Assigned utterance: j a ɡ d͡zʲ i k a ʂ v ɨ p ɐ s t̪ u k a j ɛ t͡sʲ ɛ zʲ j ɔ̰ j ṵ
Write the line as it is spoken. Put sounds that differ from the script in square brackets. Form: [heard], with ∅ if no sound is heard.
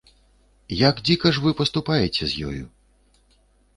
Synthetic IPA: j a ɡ d͡zʲ i k [ɐ] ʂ v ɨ p ɐ s t̪ u [p] a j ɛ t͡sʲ ɛ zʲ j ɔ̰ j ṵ